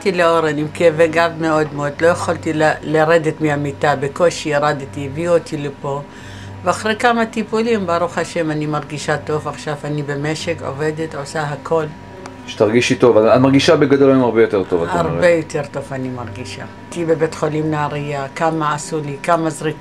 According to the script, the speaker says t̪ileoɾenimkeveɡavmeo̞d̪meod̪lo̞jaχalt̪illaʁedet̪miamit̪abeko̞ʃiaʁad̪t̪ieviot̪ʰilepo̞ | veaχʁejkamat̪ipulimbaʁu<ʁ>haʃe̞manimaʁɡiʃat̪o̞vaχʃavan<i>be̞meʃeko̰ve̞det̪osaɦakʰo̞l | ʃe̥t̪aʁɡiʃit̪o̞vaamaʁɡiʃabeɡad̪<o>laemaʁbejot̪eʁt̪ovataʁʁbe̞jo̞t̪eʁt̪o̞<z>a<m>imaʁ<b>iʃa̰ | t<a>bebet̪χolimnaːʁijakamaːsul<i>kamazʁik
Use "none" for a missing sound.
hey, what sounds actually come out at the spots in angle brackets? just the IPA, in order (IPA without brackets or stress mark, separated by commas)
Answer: χ, i, o, v, n, ɡ, i, i